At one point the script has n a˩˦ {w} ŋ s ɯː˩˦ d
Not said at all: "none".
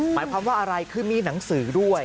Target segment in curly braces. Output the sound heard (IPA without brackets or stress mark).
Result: none